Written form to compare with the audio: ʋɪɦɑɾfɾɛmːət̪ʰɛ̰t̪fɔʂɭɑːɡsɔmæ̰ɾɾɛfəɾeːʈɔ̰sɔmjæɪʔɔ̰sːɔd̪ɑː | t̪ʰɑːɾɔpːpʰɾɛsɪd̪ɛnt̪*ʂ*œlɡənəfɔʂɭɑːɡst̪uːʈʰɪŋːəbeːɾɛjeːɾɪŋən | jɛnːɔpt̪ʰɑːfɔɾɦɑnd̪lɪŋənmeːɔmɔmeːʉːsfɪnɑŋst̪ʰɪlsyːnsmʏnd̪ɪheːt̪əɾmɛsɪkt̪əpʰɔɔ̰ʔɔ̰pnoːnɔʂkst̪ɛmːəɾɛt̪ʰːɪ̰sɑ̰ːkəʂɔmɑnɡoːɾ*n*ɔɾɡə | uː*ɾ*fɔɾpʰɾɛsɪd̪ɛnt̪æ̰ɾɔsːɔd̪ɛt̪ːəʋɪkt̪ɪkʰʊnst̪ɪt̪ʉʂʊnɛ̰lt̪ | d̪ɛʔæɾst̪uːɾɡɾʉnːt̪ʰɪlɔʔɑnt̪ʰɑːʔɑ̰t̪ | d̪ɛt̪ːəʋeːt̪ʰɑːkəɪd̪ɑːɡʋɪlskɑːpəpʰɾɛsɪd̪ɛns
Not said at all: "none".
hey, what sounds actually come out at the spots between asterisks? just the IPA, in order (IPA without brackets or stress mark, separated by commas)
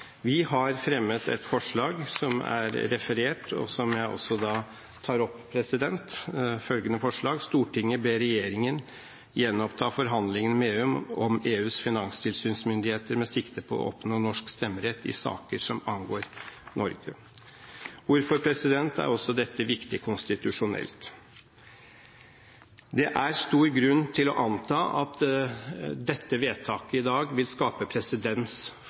f, n, ɾ